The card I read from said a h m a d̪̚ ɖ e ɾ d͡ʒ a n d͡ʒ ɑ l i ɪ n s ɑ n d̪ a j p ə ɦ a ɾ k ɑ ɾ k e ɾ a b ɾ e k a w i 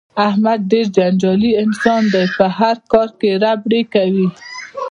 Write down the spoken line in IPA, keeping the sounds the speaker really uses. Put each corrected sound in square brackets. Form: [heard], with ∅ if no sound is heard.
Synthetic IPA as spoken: a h m a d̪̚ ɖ e ɾ d͡ʒ a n d͡ʒ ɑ l i ɪ n s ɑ n d̪ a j p ə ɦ a ɾ k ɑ ɾ k e ɾ a b [ɽ] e k a w i